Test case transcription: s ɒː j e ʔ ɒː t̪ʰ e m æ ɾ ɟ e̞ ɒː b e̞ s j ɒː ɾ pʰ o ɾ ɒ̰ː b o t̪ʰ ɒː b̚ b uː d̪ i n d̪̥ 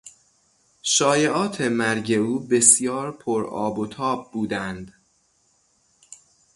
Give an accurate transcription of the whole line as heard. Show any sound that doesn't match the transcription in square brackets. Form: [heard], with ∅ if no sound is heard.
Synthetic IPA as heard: [ʃ] ɒː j e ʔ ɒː t̪ʰ e m æ ɾ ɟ e̞ [uː] b e̞ s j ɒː ɾ pʰ o ɾ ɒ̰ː b o t̪ʰ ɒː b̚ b uː d̪ [æ] n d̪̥

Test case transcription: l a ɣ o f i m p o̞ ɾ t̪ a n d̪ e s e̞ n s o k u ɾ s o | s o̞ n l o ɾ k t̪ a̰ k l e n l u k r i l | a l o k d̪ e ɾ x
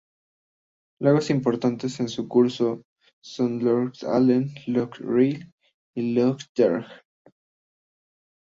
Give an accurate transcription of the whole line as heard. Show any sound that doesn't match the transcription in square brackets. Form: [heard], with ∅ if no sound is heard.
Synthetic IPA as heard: l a ɣ o [s] i m p o̞ ɾ t̪ a n [t̪] e s e̞ n s [u] k u ɾ s o | s o̞ n l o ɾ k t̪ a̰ [∅] l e n l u k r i l | [i] l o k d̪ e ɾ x

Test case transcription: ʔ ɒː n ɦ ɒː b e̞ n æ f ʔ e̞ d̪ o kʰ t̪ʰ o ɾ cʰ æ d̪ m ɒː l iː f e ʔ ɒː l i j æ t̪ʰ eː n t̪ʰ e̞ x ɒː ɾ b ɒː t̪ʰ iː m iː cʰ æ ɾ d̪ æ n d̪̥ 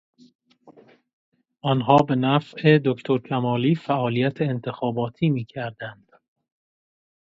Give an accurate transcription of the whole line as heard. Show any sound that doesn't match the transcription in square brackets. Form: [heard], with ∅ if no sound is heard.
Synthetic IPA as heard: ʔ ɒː n ɦ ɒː b e̞ n æ f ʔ e̞ d̪ o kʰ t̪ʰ o ɾ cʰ æ [∅] m ɒː l iː f [æ] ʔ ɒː l i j æ t̪ʰ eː n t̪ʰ e̞ x ɒː [∅] b ɒː t̪ʰ iː m iː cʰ æ ɾ d̪ æ n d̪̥

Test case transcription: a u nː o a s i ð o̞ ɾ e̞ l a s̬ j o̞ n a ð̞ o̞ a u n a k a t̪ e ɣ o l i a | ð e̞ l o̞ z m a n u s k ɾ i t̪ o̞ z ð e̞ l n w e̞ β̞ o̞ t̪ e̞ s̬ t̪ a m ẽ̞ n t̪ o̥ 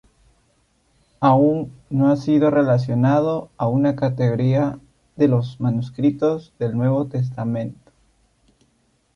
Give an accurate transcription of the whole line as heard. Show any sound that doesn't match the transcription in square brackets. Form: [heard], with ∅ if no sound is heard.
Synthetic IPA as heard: a u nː o a s i ð o̞ [r] e̞ l a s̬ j o̞ n a ð̞ o̞ a u n a k a t̪ e ɣ o [ɾ] i a | ð e̞ l o̞ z m a n u s k ɾ i t̪ o̞ z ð e̞ l n w e̞ β̞ o̞ t̪ e̞ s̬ t̪ a m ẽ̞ n t̪ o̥

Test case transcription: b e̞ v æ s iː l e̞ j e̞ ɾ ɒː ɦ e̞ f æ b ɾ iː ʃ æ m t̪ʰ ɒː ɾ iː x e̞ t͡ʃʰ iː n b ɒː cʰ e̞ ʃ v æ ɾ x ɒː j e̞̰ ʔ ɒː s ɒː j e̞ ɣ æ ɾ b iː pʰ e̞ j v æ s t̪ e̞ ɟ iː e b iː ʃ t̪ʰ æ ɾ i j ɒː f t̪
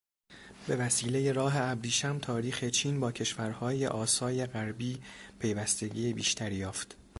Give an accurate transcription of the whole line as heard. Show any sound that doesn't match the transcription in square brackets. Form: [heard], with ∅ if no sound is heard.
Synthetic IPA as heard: b e̞ v æ s iː l e̞ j e̞ ɾ ɒː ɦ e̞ [∅] æ b ɾ iː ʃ æ m t̪ʰ ɒː ɾ iː x e̞ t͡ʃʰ iː n b ɒː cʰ e̞ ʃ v æ ɾ [h] ɒː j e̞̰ ʔ ɒː s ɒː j e̞ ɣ æ ɾ b iː pʰ e̞ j v æ s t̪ e̞ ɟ iː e b iː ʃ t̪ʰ æ ɾ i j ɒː f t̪

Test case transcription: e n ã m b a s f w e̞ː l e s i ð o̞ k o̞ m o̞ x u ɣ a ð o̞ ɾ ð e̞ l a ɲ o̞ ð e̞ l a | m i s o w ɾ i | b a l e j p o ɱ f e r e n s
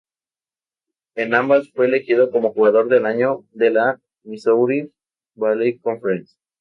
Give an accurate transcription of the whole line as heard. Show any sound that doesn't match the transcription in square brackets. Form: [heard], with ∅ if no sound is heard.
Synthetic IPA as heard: e n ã m b a s f w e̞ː l e [x] i ð o̞ k o̞ m o̞ x u ɣ a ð o̞ ɾ ð e̞ l a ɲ o̞ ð e̞ l a | m i s o w ɾ i | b a l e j [k] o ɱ f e [ɾ] e n s

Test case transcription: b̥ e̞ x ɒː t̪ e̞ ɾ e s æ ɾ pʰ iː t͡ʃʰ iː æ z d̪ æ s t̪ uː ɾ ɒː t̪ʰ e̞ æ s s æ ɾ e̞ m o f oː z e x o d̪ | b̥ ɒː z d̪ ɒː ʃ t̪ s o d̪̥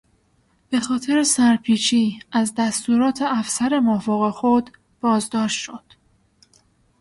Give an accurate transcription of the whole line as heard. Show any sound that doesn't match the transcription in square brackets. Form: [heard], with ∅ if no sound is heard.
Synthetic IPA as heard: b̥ e̞ x ɒː [t̪ʰ] e̞ ɾ e s æ ɾ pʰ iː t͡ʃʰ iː æ z d̪ æ s t̪ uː ɾ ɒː t̪ʰ e̞ æ [f] s æ ɾ e̞ m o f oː [ɣ] e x o d̪ | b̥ ɒː z d̪ ɒː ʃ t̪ [ʃ] o d̪̥

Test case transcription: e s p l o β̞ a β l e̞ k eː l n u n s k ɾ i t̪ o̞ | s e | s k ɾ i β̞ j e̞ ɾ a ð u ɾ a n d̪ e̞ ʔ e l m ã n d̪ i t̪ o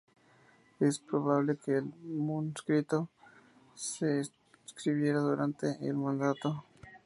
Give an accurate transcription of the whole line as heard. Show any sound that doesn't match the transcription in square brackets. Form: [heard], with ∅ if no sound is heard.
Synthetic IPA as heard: e s p [ɾ] o β̞ a β l e̞ k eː l [m] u n s k ɾ i t̪ o̞ | s e | s k ɾ i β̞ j e̞ ɾ a ð u ɾ a n [t̪] e̞ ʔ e l m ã n d̪ [a] t̪ o

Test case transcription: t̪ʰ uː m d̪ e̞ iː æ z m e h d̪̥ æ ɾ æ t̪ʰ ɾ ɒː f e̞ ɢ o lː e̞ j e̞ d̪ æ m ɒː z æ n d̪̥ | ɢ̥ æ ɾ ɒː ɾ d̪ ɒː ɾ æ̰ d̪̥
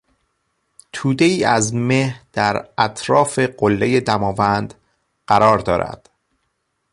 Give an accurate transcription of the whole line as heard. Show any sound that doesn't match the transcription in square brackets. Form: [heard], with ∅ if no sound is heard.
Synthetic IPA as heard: t̪ʰ uː [∅] d̪ e̞ iː æ z m e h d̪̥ æ ɾ æ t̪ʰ ɾ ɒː f e̞ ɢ o lː e̞ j e̞ d̪ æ m ɒː [v] æ n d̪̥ | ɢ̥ æ ɾ ɒː ɾ d̪ ɒː ɾ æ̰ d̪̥

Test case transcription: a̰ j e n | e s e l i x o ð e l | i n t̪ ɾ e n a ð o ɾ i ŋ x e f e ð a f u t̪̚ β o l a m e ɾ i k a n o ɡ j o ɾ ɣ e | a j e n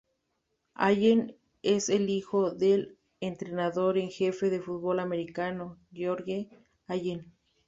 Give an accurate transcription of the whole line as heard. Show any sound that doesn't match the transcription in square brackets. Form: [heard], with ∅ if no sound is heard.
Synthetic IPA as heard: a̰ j e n | e s e l i x o ð e l | [e] n t̪ ɾ e n a ð o ɾ [e] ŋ x e f e ð [e] f u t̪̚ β o l a m e ɾ i k a n o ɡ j o ɾ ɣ e | a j e n

